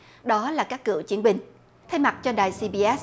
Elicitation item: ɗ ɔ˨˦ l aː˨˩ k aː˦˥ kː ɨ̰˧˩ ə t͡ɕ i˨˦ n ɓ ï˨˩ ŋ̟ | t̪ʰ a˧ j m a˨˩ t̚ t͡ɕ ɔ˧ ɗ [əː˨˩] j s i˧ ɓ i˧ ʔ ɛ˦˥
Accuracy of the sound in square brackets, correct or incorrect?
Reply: incorrect